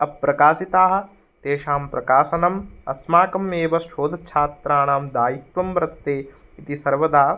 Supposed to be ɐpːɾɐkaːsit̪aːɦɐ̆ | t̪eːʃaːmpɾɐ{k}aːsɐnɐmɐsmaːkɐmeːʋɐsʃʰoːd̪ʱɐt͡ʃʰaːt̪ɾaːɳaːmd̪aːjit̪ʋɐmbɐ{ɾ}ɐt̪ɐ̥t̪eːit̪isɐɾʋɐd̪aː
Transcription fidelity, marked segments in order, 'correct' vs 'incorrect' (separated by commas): correct, correct